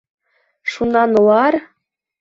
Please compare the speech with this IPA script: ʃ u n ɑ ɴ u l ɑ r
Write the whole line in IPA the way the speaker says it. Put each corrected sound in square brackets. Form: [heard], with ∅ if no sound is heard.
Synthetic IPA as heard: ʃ u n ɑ [n] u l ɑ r